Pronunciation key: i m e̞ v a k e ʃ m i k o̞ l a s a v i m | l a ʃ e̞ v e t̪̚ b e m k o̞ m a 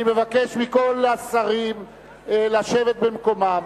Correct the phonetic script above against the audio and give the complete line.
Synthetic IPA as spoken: i m e̞ v a k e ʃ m i k o̞ l a s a ʁ i m | l a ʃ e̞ v e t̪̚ b e m k o̞ m a